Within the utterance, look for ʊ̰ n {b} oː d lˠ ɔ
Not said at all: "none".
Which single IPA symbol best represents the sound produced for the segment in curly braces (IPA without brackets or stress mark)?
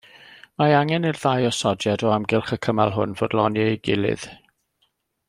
v